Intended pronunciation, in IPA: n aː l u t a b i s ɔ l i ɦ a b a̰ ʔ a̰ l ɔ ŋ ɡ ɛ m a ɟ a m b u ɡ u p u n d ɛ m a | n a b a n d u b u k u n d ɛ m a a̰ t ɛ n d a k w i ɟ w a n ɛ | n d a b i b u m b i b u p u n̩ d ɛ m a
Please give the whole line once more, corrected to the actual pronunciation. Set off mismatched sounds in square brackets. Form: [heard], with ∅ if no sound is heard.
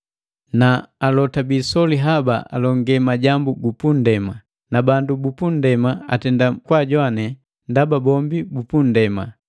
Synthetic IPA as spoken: n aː l [ɔ] t a b i s ɔ l i ɦ a b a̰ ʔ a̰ l ɔ ŋ ɡ ɛ m a ɟ a m b u ɡ u p u n d ɛ m a | n a b a n d u b u [p] u n d ɛ m a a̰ t ɛ n d a k w [a] ɟ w a n ɛ | n d a b [a] b [ɔ] m b i b u p u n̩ d ɛ m a